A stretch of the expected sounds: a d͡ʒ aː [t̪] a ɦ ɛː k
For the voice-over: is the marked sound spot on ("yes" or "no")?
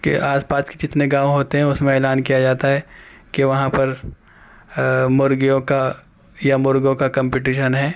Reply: yes